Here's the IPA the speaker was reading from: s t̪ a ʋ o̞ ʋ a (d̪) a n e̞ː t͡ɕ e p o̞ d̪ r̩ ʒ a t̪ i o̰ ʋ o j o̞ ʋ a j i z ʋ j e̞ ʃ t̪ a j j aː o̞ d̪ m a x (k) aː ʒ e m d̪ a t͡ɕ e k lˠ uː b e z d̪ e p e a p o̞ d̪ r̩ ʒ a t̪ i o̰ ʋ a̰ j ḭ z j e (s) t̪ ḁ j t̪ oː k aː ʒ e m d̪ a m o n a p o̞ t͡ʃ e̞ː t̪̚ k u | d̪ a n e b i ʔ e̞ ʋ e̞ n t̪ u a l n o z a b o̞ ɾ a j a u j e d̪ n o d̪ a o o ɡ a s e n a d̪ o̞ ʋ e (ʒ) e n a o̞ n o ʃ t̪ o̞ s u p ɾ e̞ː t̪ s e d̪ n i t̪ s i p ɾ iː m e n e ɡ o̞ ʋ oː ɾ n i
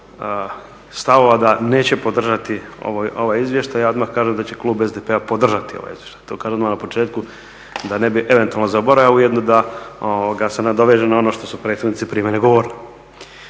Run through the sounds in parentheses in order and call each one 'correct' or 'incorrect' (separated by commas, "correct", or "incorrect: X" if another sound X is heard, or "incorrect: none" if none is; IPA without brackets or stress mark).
correct, correct, incorrect: ʃ, correct